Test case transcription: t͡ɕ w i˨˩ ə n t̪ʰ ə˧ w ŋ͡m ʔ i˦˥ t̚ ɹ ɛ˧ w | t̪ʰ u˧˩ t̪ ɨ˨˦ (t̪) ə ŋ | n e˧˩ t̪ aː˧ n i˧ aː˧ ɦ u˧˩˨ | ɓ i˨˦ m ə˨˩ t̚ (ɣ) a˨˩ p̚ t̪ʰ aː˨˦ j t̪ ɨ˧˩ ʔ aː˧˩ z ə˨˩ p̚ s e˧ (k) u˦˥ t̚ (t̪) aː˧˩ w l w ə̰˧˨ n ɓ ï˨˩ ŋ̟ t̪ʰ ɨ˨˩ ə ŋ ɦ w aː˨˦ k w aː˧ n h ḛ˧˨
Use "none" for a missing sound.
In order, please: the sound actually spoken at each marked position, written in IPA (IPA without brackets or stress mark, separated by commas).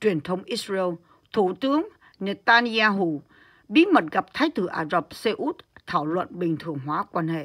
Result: none, ɣ, ʔ, t̪ʰ